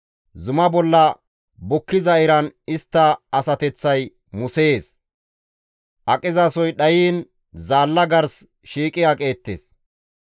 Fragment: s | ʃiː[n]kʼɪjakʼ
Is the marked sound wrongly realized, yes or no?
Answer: yes